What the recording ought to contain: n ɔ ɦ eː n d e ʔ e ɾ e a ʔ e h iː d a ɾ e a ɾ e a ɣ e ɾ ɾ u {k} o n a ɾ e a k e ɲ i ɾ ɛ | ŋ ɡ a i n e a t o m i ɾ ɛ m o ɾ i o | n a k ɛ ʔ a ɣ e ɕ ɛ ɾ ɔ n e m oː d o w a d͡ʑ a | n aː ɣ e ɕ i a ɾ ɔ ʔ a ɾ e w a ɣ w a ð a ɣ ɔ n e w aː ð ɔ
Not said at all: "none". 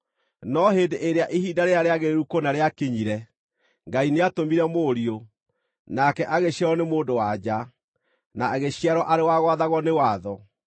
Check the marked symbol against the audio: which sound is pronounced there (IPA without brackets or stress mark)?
k